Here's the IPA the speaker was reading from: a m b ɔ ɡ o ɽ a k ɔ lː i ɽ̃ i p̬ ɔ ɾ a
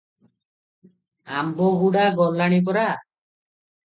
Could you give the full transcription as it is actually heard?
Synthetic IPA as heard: a m b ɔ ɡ u ɽ a ɡ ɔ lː a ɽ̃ i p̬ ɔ ɾ a